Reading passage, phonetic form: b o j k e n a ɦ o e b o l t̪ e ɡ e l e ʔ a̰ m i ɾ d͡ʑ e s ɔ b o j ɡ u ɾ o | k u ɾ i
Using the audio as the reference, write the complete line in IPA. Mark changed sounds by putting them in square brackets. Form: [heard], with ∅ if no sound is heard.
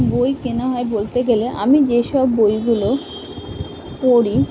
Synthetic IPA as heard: b o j k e n a ɦ [ɔ] e b o l t̪ e ɡ e l e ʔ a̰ m i [∅] d͡ʑ e [ʃ] ɔ [bː] o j ɡ u [l] o | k [o] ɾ i